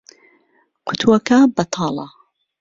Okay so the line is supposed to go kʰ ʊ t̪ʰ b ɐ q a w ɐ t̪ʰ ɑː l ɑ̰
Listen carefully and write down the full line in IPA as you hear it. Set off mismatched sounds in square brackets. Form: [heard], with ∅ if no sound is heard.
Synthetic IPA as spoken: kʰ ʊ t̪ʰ [w] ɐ [k] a [b] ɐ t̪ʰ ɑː l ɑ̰